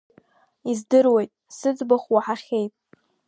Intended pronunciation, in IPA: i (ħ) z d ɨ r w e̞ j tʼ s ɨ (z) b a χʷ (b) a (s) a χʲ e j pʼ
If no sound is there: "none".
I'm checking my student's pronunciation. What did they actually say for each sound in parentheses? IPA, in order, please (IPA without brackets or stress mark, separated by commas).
none, d͡z, w, ħ